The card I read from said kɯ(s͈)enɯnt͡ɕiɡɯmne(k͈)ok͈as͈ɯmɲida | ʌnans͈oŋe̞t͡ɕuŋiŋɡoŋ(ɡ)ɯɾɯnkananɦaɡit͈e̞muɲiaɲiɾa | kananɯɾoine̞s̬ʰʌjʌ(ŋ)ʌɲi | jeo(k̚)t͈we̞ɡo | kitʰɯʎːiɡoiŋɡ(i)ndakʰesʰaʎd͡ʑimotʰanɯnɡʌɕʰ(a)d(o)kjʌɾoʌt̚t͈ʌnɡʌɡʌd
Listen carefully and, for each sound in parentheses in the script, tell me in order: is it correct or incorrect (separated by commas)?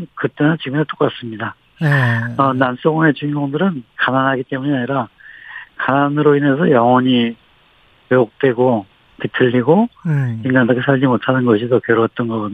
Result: incorrect, incorrect, incorrect, correct, correct, incorrect, incorrect, correct